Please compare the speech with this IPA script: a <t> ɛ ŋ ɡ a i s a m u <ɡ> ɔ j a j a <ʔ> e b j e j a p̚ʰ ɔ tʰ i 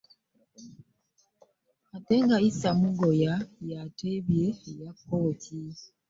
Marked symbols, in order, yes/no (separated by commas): yes, yes, no